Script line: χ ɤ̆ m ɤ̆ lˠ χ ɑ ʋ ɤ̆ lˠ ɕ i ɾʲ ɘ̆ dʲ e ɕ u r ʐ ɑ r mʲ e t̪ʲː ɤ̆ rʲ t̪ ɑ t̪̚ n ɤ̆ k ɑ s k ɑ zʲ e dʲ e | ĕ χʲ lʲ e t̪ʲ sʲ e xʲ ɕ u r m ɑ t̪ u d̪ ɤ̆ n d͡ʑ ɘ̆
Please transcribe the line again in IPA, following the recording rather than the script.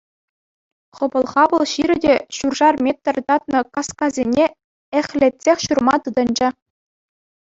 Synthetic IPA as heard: χ ɤ̆ b ɤ̆ lˠ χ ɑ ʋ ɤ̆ lˠ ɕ i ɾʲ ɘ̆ dʲ e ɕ u r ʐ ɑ r mʲ e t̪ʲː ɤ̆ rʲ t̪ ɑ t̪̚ n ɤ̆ k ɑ s k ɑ zʲ e nʲ e | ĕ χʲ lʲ e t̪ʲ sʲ e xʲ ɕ u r m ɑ t̪ ɯ d̪ ɤ̆ n d͡ʑ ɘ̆